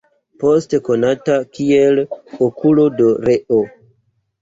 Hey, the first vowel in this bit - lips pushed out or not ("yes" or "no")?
yes